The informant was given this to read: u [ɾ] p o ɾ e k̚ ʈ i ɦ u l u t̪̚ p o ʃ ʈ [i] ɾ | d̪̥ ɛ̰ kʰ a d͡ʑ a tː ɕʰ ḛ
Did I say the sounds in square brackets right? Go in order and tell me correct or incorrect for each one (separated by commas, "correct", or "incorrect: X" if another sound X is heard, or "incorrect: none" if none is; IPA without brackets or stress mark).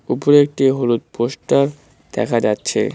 incorrect: none, incorrect: a